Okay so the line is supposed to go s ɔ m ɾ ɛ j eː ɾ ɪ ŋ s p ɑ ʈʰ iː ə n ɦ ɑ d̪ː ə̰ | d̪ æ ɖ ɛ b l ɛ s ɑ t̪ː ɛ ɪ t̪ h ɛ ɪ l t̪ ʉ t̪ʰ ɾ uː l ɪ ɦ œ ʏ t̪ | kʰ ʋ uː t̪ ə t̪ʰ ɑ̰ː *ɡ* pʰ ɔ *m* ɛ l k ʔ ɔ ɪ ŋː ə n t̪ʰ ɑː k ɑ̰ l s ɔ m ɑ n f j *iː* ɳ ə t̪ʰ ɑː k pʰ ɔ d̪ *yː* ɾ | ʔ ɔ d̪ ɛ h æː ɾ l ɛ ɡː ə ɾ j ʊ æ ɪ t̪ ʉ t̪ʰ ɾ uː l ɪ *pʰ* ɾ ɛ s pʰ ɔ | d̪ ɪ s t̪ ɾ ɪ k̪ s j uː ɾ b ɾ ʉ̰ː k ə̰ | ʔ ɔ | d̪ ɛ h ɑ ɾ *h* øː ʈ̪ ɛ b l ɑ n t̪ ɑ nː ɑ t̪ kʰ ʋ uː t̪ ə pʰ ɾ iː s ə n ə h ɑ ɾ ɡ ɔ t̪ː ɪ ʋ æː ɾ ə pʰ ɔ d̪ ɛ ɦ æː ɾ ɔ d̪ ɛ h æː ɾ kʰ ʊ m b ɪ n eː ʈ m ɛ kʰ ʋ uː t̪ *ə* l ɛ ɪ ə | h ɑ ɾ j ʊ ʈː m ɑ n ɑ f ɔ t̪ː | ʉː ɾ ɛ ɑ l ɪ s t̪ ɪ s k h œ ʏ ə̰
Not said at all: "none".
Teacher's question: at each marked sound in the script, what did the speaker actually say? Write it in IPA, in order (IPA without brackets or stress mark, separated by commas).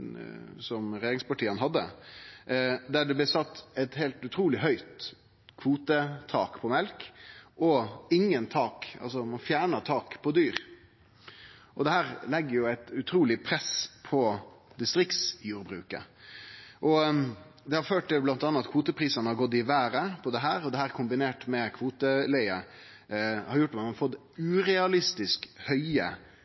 k, m, æː, yː, pʰ, f, ə